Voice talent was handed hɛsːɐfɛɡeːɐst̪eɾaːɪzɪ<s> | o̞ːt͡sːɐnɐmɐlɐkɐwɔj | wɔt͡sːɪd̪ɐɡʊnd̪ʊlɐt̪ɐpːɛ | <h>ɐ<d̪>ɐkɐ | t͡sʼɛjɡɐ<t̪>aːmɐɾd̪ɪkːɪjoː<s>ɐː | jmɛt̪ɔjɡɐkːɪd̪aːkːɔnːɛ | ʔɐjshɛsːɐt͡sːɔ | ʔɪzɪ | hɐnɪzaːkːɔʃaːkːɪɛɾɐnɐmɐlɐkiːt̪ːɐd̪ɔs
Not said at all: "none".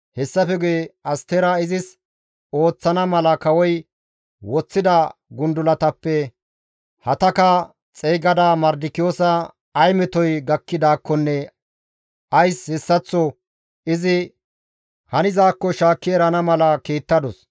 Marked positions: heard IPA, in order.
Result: s, h, t̪, d̪, s

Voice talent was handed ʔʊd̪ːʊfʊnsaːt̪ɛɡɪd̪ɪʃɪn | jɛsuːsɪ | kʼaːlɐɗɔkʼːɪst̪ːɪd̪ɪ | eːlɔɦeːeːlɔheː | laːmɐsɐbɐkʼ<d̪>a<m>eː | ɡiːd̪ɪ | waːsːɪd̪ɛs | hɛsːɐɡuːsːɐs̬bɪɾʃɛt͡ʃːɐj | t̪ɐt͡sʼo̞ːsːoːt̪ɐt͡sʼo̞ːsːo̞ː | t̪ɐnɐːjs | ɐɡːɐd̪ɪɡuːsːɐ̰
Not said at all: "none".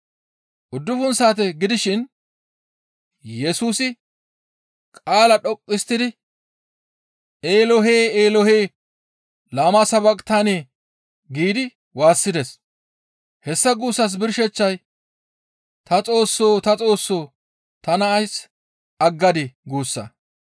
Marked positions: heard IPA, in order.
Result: t̪, n

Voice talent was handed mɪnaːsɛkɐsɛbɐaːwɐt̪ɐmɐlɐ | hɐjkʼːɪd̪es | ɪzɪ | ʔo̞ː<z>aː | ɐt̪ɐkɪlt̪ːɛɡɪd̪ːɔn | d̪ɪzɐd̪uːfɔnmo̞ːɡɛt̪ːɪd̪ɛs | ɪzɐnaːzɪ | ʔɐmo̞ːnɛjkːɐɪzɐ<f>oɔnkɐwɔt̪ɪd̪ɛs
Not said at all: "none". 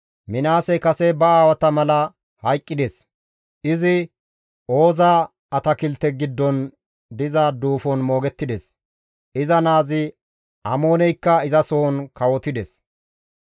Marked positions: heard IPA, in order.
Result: z, s

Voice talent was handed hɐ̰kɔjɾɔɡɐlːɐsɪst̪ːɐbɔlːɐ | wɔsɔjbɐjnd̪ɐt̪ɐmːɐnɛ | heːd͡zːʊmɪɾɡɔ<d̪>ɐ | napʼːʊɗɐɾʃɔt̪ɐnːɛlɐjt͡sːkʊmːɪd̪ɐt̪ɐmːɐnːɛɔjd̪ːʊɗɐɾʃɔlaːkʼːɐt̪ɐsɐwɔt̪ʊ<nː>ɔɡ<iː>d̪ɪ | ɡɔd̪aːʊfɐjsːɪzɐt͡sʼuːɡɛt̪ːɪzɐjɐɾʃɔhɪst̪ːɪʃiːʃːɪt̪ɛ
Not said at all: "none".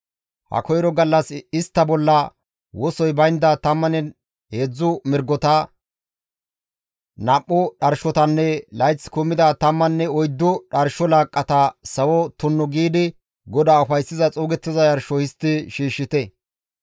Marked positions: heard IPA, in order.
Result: t̪, nː, iː

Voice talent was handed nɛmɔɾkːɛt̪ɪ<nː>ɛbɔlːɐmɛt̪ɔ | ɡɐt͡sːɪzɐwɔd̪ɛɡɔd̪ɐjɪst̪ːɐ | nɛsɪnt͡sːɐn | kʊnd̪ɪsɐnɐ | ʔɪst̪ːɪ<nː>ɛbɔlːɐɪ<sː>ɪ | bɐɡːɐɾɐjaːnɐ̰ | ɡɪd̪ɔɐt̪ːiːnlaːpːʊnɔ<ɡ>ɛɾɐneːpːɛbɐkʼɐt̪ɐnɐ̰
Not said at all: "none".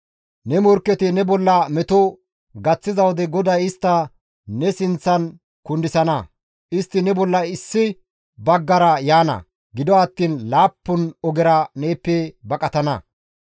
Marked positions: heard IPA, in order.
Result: n, n, sː, ɡ

